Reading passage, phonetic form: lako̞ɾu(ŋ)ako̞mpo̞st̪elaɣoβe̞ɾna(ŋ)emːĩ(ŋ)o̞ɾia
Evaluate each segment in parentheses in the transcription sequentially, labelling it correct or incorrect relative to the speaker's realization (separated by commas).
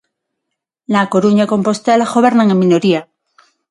incorrect, correct, incorrect